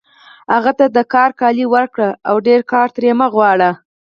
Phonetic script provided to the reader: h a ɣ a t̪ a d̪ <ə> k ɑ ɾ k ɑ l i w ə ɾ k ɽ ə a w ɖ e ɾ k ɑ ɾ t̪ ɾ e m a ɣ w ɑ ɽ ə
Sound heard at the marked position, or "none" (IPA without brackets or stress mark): ə